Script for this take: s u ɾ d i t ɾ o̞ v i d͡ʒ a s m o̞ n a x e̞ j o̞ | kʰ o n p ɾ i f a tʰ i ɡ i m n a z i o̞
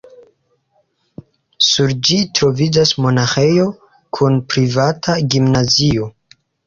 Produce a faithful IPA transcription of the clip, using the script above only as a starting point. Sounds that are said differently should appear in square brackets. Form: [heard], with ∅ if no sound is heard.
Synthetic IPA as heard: s u ɾ [d͡ʒ] i t ɾ o̞ v i d͡ʒ a s m o̞ n a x e̞ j o̞ | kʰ [u] n p ɾ i [v] a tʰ [a] ɡ i m n a z i o̞